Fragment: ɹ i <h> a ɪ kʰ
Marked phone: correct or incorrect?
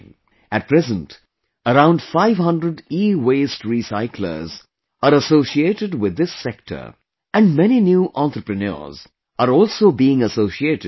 incorrect: s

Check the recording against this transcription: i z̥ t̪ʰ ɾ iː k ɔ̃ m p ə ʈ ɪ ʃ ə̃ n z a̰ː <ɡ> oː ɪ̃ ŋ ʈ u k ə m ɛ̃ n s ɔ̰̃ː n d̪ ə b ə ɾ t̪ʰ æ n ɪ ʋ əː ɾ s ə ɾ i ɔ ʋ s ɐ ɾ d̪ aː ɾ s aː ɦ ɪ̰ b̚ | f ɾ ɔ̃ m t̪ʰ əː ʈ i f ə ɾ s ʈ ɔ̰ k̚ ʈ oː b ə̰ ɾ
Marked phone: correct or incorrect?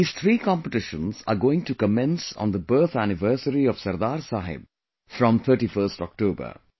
correct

